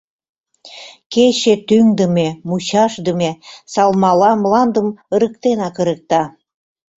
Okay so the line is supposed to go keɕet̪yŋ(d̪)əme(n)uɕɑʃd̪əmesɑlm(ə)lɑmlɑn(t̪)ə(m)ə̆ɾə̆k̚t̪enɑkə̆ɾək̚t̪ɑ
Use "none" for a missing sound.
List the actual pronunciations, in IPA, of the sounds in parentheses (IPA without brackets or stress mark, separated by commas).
d̪, m, ɑ, d̪, m